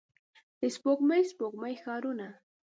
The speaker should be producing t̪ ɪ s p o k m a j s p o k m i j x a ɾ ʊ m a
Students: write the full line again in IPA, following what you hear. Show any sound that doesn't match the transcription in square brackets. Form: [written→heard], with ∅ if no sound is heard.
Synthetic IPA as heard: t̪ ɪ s p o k m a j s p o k m [i→a] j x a ɾ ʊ [m→n] a